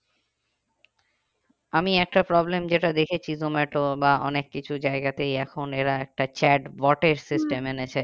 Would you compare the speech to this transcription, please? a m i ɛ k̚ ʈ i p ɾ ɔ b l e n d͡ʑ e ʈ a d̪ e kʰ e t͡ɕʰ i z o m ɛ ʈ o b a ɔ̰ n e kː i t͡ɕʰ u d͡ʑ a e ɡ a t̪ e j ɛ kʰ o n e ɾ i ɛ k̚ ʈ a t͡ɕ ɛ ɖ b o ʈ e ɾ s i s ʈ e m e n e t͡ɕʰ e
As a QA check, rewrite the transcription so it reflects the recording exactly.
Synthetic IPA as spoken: a m i ɛ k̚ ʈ a p ɾ ɔ b l e m d͡ʑ e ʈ a d̪ e kʰ e t͡ɕʰ i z o m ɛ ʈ o b a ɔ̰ n e kː i t͡ɕʰ u d͡ʑ a e ɡ a t̪ e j ɛ kʰ o n e ɾ a ɛ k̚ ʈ a t͡ɕ ɛ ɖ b ɔ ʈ e ɾ s i s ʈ e m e n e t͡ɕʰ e